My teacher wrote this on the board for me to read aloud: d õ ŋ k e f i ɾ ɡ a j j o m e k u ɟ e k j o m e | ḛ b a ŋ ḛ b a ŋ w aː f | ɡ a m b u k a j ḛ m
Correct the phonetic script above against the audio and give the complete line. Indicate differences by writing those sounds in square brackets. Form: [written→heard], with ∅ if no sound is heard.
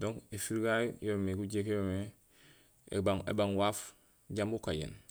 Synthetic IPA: d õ ŋ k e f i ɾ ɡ a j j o m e k u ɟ e k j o m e | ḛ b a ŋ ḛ b a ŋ w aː f | [ɡ→ɟ] a m b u k a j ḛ [m→n]